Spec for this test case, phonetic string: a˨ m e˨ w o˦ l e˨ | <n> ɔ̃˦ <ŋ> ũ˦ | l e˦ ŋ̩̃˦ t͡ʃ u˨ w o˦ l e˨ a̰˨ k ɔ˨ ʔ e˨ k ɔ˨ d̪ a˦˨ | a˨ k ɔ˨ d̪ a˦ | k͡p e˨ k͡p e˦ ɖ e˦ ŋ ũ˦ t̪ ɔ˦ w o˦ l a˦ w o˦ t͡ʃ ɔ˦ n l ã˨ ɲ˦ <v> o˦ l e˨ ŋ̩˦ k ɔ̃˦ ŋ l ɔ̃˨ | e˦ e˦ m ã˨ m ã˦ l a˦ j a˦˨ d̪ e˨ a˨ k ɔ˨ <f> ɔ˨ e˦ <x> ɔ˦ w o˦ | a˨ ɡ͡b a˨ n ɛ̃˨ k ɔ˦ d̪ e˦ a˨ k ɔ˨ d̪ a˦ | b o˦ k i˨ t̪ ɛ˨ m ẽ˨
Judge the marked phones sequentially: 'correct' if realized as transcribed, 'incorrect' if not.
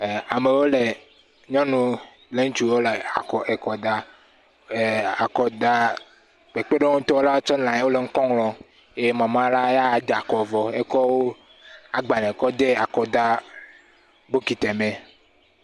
incorrect, incorrect, incorrect, incorrect, incorrect

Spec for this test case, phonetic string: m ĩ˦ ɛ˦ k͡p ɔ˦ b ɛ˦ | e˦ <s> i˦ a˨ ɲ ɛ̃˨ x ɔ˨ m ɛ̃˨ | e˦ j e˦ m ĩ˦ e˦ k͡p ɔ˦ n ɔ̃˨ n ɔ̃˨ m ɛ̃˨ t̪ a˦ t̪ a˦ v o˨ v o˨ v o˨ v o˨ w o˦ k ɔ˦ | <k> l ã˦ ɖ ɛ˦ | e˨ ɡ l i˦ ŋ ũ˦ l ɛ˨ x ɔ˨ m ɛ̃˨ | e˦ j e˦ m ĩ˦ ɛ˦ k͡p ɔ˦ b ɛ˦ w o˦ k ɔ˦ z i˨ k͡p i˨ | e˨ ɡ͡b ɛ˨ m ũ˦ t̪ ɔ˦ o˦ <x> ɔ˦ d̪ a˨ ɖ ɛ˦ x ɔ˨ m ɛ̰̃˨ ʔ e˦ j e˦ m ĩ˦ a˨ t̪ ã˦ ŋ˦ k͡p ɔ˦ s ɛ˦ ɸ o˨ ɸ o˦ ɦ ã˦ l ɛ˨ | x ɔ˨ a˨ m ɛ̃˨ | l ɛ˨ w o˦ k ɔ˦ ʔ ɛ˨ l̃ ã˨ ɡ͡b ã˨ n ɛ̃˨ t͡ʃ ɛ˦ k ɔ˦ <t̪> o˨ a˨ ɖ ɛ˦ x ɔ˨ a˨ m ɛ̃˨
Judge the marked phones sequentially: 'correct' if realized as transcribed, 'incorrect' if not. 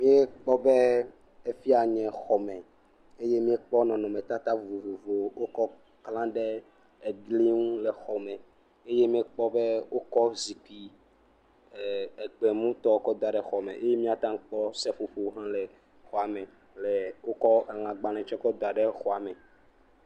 incorrect, correct, incorrect, incorrect

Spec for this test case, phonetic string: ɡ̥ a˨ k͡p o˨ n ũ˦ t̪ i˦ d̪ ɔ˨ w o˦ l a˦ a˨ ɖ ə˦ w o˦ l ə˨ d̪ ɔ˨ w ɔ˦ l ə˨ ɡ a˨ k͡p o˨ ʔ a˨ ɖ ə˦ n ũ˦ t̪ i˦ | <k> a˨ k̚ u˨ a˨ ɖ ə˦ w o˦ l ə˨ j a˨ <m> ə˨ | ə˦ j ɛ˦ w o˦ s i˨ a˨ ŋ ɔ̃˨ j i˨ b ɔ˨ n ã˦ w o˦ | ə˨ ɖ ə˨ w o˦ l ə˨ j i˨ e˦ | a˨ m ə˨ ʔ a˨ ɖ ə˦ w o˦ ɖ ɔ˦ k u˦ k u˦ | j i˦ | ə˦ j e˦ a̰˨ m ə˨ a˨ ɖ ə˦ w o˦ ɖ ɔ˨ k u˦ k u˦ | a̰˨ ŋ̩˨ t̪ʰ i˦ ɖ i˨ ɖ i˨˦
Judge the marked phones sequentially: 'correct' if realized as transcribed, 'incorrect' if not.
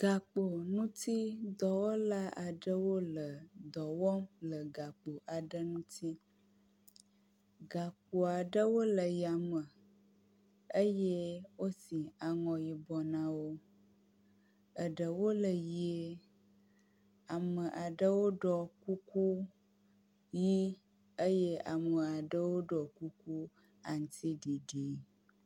incorrect, correct

